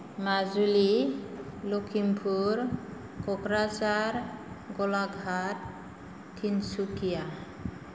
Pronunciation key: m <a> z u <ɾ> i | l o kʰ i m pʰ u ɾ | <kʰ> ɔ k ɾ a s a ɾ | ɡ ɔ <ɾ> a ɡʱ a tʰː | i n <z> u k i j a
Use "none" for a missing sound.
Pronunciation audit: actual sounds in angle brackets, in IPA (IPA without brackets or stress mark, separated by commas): a, l, k, l, s